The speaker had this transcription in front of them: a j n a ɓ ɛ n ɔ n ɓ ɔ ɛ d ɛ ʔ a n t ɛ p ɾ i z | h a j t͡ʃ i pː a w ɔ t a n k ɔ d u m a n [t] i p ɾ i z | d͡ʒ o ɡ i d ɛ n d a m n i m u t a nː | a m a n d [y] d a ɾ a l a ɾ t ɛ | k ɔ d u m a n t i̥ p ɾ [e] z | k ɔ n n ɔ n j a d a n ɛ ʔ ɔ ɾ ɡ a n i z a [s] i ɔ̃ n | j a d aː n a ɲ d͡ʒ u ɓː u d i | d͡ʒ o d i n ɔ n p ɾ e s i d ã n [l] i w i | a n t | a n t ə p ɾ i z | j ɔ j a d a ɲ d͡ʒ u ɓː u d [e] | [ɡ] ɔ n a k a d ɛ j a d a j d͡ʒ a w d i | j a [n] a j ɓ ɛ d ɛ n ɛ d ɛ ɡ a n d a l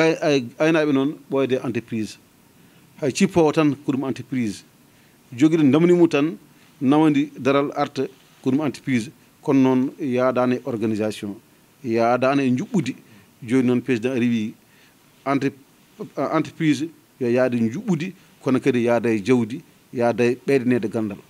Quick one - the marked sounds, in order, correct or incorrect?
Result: correct, incorrect: i, incorrect: i, correct, incorrect: ɾ, incorrect: i, incorrect: k, incorrect: d

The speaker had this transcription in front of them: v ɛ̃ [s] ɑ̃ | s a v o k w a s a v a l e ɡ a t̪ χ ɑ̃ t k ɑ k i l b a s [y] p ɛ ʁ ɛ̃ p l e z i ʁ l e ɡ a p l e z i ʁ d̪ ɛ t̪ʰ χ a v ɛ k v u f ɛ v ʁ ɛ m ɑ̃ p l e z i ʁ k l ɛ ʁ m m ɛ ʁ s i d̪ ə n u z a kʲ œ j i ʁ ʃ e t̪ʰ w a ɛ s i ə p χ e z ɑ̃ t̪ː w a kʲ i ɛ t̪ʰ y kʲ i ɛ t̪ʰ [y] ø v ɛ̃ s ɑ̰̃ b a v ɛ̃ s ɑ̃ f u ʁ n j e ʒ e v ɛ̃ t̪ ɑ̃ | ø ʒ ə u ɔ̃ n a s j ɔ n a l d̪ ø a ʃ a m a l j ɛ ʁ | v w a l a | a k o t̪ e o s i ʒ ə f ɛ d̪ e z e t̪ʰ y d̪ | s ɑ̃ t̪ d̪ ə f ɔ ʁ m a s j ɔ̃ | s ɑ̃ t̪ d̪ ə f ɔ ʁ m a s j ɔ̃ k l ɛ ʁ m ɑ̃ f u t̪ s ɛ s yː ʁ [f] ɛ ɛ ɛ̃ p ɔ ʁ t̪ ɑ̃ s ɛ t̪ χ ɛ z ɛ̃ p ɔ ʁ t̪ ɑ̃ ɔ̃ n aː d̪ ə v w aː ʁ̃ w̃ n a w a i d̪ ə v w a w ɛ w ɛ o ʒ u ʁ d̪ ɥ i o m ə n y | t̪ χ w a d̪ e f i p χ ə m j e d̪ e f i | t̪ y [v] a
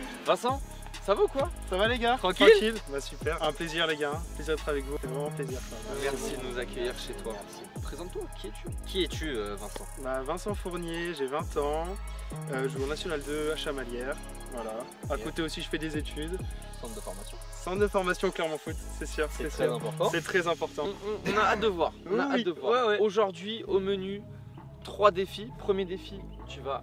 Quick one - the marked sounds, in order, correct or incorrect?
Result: correct, correct, correct, incorrect: s, correct

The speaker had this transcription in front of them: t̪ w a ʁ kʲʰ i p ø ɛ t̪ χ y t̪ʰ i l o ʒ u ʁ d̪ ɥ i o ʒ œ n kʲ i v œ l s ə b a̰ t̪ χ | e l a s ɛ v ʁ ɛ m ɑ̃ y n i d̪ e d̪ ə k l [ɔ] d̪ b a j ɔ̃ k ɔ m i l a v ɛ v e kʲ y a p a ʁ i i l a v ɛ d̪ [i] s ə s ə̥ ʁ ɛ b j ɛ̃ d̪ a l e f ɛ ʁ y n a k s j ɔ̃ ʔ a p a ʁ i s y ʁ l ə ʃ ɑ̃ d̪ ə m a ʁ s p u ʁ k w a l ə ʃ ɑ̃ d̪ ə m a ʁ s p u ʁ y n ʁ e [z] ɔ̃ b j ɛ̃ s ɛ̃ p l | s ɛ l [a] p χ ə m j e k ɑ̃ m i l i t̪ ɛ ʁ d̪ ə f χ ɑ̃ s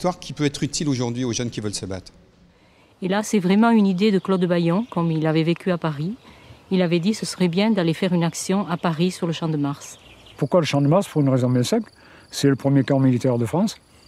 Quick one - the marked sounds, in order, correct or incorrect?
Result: correct, correct, correct, incorrect: ə

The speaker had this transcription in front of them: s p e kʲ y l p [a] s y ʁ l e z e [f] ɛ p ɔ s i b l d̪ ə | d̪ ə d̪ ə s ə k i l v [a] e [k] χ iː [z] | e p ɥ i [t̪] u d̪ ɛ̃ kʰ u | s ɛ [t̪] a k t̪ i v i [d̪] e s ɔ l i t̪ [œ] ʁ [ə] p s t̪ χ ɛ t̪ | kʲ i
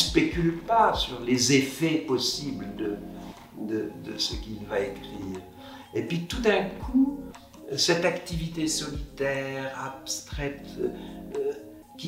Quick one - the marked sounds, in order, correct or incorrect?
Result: correct, correct, correct, correct, incorrect: ʁ, correct, correct, incorrect: t̪, incorrect: ɛ, incorrect: a

